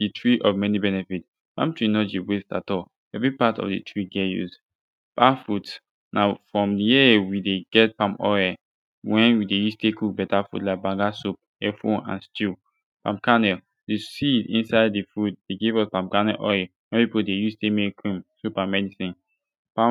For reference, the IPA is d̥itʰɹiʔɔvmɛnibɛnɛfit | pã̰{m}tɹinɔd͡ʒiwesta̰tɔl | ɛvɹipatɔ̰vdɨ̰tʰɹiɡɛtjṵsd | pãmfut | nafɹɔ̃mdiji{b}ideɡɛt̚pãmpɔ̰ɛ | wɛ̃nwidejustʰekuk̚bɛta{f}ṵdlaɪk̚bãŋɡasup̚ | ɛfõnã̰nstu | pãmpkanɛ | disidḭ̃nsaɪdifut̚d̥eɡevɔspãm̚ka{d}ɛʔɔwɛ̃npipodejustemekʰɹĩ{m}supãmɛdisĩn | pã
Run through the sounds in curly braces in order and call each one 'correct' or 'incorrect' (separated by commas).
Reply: correct, incorrect, correct, incorrect, correct